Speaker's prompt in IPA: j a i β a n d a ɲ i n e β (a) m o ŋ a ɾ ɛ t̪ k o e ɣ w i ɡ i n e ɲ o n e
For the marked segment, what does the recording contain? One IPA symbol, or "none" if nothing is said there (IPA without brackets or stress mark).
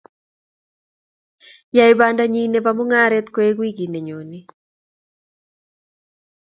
a